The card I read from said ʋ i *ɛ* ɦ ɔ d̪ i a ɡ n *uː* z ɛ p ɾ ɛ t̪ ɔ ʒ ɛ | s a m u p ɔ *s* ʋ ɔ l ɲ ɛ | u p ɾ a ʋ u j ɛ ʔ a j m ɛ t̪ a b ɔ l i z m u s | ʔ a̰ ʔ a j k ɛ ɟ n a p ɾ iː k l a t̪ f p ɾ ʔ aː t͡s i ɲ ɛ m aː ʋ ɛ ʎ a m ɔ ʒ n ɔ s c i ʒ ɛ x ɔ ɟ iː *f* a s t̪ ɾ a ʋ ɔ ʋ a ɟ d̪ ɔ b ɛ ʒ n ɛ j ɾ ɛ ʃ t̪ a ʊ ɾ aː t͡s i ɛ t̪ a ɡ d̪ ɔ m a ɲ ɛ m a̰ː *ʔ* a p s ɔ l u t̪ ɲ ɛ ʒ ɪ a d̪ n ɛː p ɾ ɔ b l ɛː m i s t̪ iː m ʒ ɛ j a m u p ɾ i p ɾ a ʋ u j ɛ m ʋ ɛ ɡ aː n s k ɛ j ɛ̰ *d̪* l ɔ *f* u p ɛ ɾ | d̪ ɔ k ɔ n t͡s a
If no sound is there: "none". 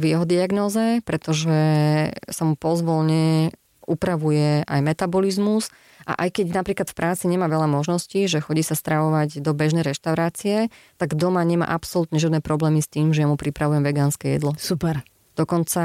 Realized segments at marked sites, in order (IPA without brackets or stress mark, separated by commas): ɛ, ɔː, z, s, ʔ, d̪, s